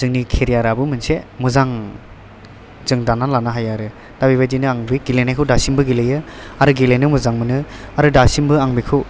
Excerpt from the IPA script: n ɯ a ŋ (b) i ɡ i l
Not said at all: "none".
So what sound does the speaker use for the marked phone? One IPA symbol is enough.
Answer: b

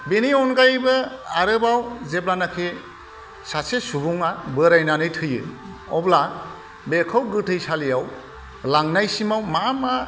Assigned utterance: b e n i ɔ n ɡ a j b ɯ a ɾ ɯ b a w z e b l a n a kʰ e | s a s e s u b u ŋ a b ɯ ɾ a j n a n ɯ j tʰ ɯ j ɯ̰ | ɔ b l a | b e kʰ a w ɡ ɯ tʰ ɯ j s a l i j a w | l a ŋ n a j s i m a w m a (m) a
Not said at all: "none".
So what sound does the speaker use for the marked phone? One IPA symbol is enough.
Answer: m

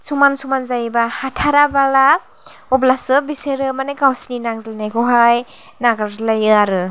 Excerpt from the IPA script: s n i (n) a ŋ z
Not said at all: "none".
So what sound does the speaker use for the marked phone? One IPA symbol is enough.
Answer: n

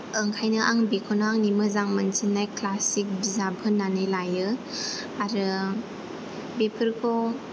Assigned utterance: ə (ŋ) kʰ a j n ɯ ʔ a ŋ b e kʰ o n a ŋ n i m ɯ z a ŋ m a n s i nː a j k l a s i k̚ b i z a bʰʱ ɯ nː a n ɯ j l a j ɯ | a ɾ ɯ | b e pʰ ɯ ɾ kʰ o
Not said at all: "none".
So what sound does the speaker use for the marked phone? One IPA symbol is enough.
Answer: ŋ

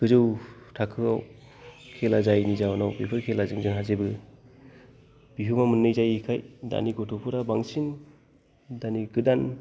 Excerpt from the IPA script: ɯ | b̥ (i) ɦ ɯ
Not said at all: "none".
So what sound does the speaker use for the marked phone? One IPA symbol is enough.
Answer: i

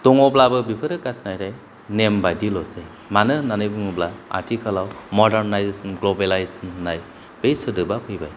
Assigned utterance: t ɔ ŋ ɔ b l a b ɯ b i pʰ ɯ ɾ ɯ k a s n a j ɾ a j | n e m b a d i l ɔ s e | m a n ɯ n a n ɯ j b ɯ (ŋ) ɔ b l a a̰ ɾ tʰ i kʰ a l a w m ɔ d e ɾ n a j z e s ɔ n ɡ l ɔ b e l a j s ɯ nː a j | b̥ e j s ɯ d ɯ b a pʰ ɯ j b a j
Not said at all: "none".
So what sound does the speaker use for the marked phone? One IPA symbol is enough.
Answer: ŋ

